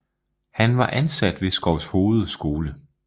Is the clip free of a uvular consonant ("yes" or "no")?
yes